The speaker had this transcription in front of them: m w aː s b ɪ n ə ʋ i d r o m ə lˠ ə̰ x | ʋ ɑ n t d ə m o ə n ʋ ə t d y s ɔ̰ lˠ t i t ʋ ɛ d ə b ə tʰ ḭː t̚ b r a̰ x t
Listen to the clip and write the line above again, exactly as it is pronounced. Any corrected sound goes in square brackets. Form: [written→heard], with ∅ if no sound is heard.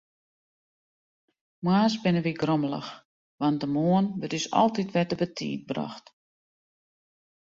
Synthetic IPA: m w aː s b ɪ n ə ʋ i [d→ɡ] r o m ə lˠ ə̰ x | ʋ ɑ n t d ə m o ə n ʋ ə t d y s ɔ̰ lˠ t i t ʋ ɛ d ə b ə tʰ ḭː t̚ b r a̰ x t